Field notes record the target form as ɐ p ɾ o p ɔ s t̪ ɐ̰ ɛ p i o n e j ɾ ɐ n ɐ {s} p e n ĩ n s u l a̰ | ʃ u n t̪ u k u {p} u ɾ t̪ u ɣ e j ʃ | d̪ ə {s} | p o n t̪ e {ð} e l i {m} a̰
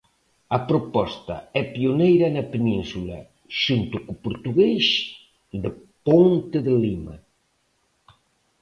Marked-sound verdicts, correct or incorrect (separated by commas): incorrect, correct, incorrect, correct, correct